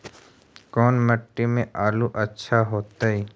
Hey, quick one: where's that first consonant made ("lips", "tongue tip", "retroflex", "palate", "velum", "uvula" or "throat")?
velum